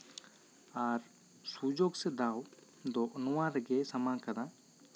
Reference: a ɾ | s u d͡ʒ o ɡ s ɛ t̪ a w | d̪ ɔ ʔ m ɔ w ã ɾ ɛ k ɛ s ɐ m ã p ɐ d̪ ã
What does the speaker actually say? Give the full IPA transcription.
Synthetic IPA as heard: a ɾ | s u d͡ʒ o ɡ s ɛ d̪ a w | d̪ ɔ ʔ n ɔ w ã ɾ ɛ ɡ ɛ s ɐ m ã k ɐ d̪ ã